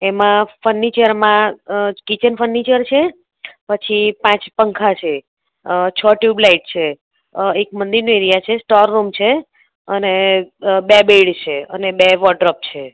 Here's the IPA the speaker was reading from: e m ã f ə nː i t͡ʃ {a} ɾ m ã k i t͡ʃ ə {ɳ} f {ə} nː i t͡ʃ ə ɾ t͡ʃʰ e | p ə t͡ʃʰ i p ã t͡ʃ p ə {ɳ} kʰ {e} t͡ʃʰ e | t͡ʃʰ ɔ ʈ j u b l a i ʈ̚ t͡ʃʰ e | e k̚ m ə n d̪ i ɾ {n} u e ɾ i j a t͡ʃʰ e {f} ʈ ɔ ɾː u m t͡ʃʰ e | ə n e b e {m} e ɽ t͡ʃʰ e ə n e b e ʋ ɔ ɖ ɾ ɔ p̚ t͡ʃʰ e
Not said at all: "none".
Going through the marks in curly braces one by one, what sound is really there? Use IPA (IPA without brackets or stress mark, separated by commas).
ə, n, ə, ŋ, a, n, s, b